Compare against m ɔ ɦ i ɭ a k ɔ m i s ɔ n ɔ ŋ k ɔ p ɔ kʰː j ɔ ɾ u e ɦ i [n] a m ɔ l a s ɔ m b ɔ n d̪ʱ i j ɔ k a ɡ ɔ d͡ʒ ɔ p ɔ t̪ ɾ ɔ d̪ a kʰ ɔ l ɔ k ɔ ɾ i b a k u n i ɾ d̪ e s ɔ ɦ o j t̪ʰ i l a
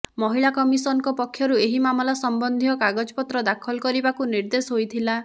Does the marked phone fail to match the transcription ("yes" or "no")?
yes